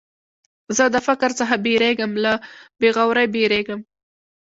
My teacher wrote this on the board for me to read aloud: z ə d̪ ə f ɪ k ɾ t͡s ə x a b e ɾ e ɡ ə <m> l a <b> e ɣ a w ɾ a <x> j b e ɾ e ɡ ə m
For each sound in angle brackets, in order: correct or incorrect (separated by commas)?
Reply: correct, correct, incorrect